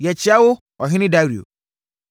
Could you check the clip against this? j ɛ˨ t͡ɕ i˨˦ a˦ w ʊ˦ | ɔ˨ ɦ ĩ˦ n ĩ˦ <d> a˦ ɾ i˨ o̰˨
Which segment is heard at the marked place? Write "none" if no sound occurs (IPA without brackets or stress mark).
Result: d